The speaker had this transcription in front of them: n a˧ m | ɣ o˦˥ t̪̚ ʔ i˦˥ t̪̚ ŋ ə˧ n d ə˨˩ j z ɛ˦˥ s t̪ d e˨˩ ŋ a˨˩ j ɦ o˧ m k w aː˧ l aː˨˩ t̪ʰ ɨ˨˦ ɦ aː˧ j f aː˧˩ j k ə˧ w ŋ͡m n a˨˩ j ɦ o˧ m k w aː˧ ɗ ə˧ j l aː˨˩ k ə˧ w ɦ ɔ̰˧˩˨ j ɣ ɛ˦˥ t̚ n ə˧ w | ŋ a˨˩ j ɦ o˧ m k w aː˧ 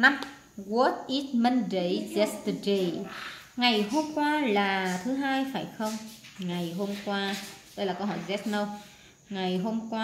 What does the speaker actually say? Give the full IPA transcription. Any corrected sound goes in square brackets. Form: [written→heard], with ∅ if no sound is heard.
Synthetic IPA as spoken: n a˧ m | ɣ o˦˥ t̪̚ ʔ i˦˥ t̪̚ [ŋ→m] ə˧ n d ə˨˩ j z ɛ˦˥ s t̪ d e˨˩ ŋ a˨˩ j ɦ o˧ m k w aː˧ l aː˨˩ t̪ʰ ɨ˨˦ ɦ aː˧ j f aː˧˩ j [k→x] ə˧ w ŋ͡m [n→ŋ] a˨˩ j ɦ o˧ m k w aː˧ ɗ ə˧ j l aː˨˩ k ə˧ w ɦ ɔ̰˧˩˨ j [ɣ→z] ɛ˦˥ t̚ n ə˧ w | ŋ a˨˩ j ɦ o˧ m k w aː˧

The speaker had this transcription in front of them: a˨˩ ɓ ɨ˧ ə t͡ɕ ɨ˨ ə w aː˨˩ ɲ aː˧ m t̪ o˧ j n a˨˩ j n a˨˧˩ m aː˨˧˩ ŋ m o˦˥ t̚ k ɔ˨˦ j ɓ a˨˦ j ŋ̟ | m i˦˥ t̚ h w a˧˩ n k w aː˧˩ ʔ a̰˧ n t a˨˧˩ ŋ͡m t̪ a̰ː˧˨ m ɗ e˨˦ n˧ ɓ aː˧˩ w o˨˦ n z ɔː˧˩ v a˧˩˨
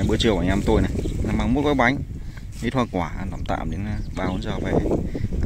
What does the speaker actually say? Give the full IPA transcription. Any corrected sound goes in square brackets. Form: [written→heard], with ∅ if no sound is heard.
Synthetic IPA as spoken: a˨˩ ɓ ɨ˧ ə t͡ɕ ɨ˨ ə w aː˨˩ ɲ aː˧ m t̪ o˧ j n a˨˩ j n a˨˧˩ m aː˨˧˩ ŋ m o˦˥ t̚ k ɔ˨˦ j ɓ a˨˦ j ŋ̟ | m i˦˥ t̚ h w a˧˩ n k w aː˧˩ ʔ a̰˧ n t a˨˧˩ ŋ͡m t̪ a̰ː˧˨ m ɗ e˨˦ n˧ ɓ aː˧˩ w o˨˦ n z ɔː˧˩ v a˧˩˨

